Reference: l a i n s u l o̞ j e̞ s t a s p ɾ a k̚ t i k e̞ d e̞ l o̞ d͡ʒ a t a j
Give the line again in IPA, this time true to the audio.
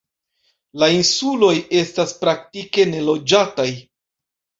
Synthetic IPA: l a i n s u l o̞ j e̞ s t a s p ɾ a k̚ t i k e̞ n e̞ l o̞ d͡ʒ a t a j